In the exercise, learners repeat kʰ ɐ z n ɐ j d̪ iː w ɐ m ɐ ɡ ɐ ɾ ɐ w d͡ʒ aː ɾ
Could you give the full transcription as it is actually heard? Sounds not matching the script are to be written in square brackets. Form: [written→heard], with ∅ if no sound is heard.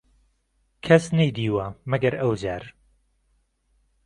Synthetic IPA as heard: kʰ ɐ [z→s] n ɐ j d̪ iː w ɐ m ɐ ɡ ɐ ɾ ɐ w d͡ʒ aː ɾ